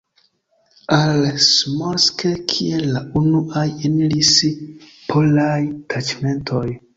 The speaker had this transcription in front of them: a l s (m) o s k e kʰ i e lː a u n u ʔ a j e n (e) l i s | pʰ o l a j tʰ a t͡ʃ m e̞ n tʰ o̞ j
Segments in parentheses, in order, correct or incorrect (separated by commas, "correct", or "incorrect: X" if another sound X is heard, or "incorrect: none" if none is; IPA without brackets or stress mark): correct, incorrect: i